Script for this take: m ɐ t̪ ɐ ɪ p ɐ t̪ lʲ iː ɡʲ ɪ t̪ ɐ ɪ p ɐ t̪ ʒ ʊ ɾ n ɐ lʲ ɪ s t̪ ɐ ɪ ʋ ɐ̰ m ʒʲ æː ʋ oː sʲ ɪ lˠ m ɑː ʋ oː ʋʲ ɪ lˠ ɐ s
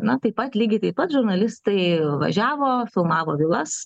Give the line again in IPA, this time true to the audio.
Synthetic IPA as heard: n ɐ t̪ ɐ ɪ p ɐ t̪ lʲ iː ɡʲ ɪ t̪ ɐ ɪ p ɐ t̪ ʒ ʊ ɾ n ɐ lʲ ɪ s t̪ ɐ ɪ ʋ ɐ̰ ʒʲ æː ʋ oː fʲ ɪ lˠ m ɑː ʋ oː ʋʲ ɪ lˠ ɐ s